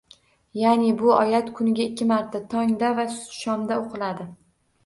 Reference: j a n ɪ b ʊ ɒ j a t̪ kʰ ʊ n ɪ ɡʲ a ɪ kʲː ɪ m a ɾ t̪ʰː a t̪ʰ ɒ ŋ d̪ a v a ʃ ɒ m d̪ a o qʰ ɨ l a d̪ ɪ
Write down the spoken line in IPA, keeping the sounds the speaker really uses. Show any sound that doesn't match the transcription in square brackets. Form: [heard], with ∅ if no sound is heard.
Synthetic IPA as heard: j a n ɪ b ʊ ɒ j a t̪ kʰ ʊ n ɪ ɡʲ a ɪ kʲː ɪ m a ɾ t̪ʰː a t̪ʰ ɒ ŋ d̪ a v a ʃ ɒ m d̪ a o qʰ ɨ l a d̪ ɪ